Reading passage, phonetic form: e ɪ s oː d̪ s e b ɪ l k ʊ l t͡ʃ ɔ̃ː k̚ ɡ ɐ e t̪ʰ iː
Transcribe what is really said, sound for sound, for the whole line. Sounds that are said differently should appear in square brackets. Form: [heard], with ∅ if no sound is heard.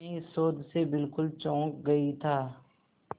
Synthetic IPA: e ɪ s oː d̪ s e b ɪ l k ʊ l t͡ʃ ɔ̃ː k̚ ɡ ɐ [i] t̪ʰ [aː]